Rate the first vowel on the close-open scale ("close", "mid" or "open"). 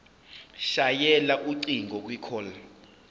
open